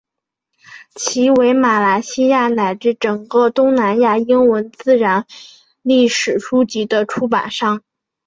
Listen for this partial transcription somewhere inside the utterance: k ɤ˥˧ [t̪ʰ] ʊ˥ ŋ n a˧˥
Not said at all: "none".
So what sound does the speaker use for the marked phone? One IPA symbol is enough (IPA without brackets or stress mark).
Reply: t̪